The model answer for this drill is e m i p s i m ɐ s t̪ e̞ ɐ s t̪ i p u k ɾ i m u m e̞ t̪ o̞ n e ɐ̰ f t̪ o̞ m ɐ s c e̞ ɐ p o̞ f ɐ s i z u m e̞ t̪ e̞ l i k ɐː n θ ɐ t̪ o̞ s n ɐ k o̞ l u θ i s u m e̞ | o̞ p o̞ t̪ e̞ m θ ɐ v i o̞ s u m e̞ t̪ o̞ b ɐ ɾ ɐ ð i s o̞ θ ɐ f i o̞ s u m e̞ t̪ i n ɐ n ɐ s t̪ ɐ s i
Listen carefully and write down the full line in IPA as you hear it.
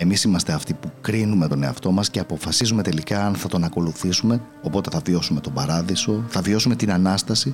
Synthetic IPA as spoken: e m i s i m ɐ s t̪ e̞ ɐ f t̪ i p u k ɾ i n u m e̞ t̪ o̞ n e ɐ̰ f t̪ o̞ m ɐ s c e̞ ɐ p o̞ f ɐ s i z u m e̞ t̪ e̞ l i k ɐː n θ ɐ t̪ o̞ n ɐ k o̞ l u θ i s u m e̞ | o̞ p o̞ t̪ e̞ θ ɐ v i o̞ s u m e̞ t̪ o̞ b ɐ ɾ ɐ ð i s o̞ θ ɐ v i o̞ s u m e̞ t̪ i n ɐ n ɐ s t̪ ɐ s i